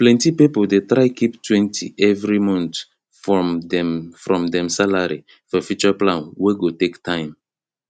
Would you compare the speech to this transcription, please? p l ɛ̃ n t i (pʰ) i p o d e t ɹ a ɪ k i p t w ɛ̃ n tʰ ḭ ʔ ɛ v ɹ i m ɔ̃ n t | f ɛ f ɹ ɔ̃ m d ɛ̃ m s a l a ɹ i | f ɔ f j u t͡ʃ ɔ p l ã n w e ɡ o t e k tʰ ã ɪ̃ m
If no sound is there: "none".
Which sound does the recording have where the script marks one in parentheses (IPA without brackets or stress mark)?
p